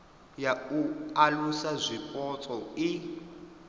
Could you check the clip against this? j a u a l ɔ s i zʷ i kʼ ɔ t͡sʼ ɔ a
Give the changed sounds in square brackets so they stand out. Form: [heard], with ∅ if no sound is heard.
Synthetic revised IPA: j a u a l [u] s [a] zʷ i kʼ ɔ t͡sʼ ɔ [i]